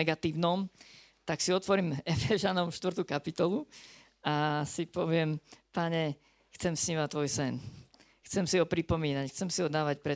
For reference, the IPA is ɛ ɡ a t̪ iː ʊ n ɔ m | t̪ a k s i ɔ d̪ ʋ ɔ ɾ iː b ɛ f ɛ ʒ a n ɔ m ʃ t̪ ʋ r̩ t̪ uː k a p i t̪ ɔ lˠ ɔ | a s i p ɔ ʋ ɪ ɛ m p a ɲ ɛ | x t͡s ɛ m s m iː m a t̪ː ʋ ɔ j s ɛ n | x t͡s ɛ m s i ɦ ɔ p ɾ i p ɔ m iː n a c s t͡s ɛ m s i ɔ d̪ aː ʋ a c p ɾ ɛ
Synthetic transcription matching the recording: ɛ ɡ a t̪ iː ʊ n ɔ m | t̪ a k s i ɔ t̪ ʋ ɔ ɾ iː m ɛ f ɛ ʒ a n ɔ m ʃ t̪ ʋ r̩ t̪ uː k a p i t̪ ɔ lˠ u | a s i p ɔ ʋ ɪ ɛ m p a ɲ ɛ | x t͡s ɛ m s ɲ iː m a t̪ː ʋ ɔ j s ɛ n | x t͡s ɛ m s i ɦ ɔ p ɾ i p ɔ m iː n a c x t͡s ɛ m s i ɔ d̪ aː ʋ a c p ɾ ɛ